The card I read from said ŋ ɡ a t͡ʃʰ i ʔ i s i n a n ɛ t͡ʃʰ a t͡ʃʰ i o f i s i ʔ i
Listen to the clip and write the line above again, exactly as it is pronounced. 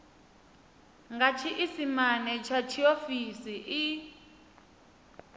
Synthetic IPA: ŋ ɡ a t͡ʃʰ i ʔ i s i m a n ɛ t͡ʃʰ a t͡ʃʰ i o f i s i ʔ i